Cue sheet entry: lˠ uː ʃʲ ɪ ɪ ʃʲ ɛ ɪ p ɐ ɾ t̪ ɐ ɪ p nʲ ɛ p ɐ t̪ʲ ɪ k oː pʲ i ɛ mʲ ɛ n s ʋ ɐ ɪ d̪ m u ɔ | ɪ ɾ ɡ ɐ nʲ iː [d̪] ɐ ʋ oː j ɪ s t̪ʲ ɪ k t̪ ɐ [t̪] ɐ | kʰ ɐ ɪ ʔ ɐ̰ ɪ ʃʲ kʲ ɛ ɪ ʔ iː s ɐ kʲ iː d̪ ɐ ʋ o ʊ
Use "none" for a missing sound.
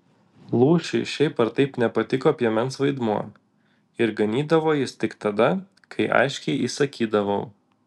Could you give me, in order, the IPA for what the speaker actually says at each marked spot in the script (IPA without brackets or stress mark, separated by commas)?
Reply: d̪, d̪